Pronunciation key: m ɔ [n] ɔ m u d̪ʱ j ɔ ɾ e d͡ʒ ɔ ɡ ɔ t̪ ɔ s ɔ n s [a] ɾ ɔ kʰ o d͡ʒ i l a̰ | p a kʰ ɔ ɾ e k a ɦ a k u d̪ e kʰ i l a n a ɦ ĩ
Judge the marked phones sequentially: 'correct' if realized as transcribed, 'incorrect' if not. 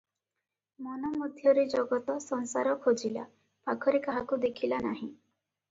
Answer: correct, correct

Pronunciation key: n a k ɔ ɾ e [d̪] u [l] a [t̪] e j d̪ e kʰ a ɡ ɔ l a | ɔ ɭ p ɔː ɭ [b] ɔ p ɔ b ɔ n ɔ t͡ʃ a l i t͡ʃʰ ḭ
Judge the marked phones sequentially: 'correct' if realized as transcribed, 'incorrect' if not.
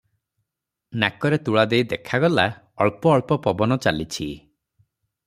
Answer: incorrect, incorrect, incorrect, incorrect

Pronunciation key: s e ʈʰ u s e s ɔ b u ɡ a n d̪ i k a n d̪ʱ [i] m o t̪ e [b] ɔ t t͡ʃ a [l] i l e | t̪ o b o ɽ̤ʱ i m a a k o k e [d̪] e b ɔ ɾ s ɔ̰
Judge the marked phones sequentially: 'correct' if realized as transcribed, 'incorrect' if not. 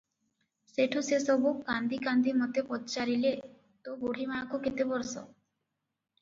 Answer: correct, incorrect, incorrect, incorrect

